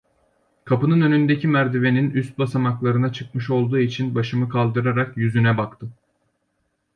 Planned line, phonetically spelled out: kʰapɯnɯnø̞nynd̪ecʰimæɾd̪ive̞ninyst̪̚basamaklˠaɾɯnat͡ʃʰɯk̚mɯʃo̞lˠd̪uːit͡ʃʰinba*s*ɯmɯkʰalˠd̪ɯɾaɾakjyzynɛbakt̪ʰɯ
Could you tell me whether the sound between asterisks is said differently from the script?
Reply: yes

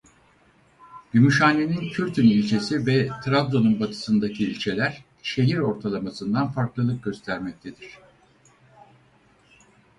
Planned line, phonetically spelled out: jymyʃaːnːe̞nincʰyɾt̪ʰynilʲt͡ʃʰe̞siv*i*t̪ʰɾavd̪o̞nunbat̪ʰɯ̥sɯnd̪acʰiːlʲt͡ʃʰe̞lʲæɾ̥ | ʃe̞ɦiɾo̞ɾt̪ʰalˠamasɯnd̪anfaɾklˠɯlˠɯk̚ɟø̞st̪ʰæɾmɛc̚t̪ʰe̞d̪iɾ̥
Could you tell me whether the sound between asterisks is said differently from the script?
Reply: yes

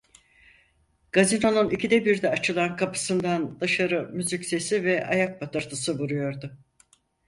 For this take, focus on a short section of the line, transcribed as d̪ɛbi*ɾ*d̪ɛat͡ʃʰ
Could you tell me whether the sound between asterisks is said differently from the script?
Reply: no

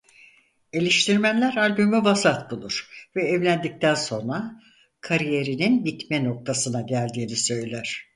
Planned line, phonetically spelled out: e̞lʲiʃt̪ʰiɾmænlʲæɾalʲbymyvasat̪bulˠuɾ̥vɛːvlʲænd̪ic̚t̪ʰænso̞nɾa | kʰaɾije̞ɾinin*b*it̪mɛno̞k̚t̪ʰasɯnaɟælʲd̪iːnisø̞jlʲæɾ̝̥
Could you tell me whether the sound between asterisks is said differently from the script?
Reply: no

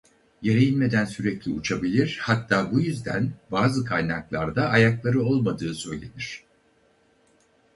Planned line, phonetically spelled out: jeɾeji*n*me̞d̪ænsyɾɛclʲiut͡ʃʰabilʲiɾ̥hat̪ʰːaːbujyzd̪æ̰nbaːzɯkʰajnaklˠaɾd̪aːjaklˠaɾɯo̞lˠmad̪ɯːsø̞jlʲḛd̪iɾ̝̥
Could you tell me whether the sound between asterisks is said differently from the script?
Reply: no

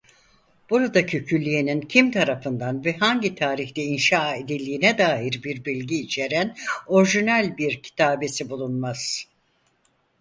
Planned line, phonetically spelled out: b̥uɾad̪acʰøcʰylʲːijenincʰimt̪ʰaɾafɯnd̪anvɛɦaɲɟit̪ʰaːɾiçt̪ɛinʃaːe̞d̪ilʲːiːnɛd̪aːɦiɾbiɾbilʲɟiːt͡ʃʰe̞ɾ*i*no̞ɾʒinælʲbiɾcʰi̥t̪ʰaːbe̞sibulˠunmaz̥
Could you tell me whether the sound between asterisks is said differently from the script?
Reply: yes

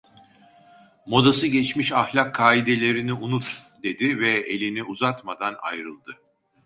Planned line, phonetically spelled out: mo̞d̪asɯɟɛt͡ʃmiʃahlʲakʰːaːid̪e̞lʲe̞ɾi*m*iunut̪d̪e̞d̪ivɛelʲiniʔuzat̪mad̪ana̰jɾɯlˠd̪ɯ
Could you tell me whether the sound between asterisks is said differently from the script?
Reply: yes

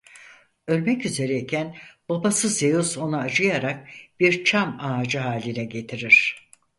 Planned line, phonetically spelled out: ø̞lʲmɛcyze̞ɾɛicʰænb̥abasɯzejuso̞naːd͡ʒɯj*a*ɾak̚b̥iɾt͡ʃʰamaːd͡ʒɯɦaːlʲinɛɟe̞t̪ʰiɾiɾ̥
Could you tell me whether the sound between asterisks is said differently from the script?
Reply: no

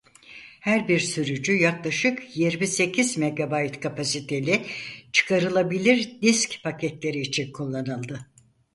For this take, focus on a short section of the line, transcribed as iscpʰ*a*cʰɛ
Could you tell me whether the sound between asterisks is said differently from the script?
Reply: no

